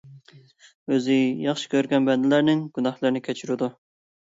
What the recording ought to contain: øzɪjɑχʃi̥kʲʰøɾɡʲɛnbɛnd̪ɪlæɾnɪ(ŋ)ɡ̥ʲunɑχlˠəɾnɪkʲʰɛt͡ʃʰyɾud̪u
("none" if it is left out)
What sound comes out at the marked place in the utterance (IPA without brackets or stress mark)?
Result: ŋ